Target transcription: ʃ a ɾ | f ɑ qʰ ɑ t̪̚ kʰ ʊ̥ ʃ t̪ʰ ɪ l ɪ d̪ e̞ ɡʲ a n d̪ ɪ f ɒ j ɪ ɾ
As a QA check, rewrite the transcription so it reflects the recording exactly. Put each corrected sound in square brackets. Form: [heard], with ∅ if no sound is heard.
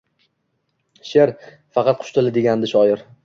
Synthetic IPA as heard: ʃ [e] ɾ | f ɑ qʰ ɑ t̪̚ [qʰ] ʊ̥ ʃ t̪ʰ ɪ l ɪ d̪ e̞ ɡʲ a n d̪ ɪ [ʃ] ɒ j ɪ ɾ